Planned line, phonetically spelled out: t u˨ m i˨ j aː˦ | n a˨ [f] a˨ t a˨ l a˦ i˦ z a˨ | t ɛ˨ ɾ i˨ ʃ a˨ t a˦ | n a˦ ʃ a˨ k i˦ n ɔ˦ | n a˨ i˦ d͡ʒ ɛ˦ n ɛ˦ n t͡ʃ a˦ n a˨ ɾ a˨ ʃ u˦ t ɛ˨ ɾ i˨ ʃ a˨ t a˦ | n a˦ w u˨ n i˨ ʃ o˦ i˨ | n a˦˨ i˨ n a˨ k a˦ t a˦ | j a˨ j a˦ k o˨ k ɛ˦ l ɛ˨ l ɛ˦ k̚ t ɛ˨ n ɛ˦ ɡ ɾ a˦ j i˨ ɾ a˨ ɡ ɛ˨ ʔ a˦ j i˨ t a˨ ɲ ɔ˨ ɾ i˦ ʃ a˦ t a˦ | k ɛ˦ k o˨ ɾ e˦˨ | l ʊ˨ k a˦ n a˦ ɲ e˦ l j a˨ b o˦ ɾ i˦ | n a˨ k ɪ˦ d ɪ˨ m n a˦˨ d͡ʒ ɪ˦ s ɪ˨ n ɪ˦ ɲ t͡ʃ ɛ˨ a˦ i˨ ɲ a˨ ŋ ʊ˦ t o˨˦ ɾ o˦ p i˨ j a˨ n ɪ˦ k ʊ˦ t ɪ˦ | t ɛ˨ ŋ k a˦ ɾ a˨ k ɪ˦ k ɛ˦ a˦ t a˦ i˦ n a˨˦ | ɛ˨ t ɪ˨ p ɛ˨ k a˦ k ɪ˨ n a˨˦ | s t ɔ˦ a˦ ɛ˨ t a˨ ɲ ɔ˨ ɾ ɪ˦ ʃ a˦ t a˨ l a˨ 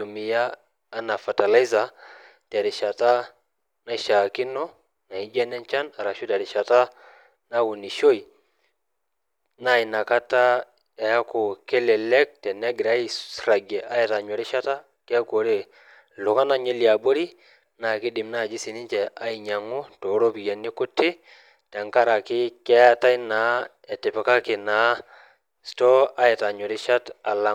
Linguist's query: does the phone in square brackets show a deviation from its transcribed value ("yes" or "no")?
no